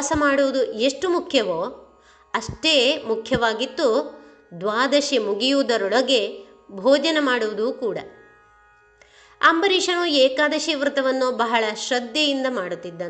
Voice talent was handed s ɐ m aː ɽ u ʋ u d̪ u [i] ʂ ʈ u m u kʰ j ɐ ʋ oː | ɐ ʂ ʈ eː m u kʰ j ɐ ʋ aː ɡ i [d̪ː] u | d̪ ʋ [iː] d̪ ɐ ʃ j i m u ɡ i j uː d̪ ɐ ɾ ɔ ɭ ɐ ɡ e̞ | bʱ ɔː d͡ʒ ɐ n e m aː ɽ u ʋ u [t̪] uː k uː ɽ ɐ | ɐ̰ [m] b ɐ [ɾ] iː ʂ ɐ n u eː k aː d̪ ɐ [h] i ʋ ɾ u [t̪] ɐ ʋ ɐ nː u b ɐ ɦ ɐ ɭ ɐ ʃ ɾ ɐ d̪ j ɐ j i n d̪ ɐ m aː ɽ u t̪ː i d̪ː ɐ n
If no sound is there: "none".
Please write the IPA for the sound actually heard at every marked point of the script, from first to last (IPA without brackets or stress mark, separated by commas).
e, t̪ː, aː, d̪, m, ɾ, ʃ, t̪